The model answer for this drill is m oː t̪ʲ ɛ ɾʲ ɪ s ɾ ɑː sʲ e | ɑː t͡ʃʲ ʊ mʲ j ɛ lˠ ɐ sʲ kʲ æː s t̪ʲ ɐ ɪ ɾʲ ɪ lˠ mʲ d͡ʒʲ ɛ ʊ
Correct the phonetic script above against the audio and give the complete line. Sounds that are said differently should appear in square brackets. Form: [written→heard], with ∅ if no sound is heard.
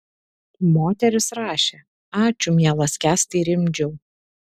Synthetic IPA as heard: m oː t̪ʲ ɛ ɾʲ ɪ s ɾ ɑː [sʲ→ʃʲ] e | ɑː t͡ʃʲ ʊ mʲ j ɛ lˠ ɐ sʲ kʲ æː s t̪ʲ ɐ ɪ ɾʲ ɪ [lˠ→∅] mʲ d͡ʒʲ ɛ ʊ